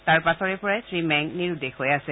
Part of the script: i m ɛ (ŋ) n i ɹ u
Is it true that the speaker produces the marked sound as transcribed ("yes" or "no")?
yes